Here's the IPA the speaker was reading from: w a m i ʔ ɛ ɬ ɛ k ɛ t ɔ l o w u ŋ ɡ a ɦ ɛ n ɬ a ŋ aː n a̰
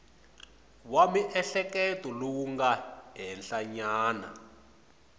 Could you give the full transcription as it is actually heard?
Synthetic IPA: w a m i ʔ ɛ ɬ ɛ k ɛ t ɔ l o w u ŋ ɡ a ɦ ɛ n ɬ a ɲ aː n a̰